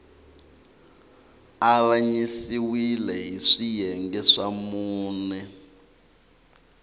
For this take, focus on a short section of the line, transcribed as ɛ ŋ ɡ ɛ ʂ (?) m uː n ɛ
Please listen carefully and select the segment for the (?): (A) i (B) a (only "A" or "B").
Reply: B